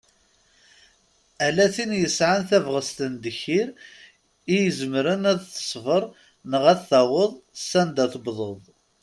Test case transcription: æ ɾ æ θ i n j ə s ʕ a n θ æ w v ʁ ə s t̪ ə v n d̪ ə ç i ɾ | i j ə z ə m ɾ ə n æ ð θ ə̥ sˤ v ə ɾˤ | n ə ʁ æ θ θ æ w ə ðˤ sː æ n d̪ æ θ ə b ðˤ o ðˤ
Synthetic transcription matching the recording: æ l æ θ i n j ə s ʕ a n θ æ v ʁ ə s t̪ ə n d̪ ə ç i ɾ | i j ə z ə m ɾ ə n æ ð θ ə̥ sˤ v ə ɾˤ | n ə ʁ æ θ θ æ w ə ðˤ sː æ n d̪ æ θ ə b ðˤ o ðˤ

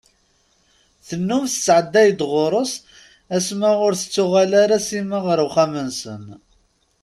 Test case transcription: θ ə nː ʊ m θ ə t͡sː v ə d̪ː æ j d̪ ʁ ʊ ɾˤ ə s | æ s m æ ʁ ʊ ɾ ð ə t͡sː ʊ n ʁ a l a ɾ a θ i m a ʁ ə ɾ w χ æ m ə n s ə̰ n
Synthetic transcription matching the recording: θ ə nː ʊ m θ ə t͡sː ʕ ə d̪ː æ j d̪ ʁ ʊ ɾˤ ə s | æ s m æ ʁ ʊ ɾ θ ə t͡sː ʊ ʁ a l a ɾ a s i m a ʁ ə ɾ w χ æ m ə n s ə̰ n

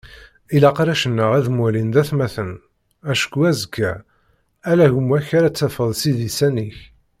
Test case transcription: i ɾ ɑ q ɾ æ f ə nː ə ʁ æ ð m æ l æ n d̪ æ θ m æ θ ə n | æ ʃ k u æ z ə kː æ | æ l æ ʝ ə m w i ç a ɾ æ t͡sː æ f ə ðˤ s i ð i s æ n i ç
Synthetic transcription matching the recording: i l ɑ q ɾ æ ʃ ə nː ə ʁ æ ð m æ l i n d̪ æ θ m æ θ ə n | æ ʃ k u æ z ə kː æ | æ l æ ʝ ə m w æ ç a ɾ æ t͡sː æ f ə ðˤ s i ð i s æ n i ç

